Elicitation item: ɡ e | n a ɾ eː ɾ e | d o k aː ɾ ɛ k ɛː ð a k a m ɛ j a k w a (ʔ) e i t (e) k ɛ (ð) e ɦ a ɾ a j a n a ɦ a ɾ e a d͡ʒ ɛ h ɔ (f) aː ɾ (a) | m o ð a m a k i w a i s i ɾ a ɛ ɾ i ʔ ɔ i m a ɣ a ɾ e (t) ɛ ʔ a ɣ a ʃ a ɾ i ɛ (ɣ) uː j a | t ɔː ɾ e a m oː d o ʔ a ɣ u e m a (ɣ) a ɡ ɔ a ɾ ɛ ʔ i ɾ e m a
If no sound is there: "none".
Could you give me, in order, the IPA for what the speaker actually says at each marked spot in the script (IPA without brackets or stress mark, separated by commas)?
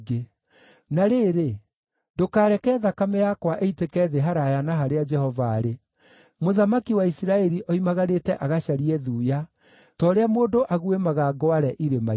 ʔ, e, ð, v, e, t, ð, ɣ